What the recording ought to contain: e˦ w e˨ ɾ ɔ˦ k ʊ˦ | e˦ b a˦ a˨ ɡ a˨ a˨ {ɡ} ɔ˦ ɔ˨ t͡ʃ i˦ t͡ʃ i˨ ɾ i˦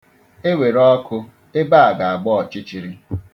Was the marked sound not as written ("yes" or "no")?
yes